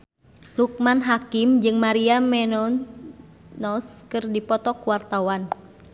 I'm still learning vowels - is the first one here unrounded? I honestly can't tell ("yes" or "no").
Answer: no